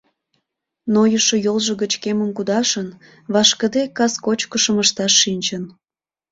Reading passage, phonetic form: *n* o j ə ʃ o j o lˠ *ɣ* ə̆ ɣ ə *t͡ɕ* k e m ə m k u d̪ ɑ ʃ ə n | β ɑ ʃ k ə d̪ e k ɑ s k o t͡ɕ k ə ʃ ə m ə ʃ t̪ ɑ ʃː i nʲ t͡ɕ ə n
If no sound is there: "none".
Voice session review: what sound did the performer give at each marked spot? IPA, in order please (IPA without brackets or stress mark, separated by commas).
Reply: n, ʒ, t͡ɕ